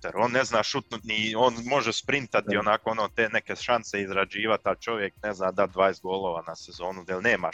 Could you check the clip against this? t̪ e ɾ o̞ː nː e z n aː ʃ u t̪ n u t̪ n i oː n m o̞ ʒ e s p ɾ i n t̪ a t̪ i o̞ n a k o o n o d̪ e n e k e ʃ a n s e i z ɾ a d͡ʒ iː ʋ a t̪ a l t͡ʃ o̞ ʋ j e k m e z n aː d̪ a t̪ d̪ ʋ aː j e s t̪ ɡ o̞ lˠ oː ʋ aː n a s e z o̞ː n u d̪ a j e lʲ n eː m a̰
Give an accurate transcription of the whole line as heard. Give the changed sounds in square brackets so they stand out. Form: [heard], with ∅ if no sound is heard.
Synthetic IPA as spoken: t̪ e ɾ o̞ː nː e z n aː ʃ u t̪ n u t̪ n i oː n m o̞ ʒ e s p ɾ i n t̪ a t̪ i o̞ n a k o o n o [t̪] e n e k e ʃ a n s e i z ɾ a d͡ʒ iː ʋ a t̪ a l t͡ʃ o̞ ʋ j e k [n] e z n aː d̪ a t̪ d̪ ʋ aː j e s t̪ ɡ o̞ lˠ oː ʋ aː n a s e z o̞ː n u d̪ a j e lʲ n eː m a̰